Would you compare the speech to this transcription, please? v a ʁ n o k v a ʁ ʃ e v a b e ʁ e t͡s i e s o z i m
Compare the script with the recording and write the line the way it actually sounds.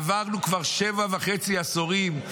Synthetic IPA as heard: v a ʁ n u k v a ʁ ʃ e v a v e χ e t͡s i a s o ʁ i m